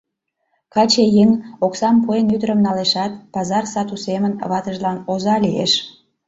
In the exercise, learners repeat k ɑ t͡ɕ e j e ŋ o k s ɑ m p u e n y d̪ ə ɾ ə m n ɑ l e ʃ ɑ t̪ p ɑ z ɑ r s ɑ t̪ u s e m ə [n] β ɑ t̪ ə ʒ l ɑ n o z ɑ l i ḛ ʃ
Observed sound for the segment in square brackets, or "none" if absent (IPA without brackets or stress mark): n